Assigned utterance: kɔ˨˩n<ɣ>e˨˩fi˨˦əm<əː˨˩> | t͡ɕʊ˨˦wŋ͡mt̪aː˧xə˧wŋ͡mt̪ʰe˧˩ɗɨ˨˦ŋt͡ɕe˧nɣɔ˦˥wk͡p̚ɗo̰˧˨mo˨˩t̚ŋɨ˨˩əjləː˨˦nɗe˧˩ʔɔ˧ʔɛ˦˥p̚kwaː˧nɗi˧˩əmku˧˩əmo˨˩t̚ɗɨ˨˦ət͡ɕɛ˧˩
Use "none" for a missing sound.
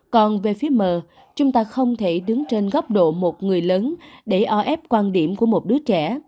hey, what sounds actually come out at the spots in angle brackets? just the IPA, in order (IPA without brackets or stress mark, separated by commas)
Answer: v, əː˨˩